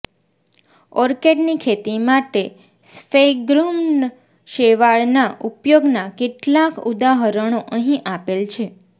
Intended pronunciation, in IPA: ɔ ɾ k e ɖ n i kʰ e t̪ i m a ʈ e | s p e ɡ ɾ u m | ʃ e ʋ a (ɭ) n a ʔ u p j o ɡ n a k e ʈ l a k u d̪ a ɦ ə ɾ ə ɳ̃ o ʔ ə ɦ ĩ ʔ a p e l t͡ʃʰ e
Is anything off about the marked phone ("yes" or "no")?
no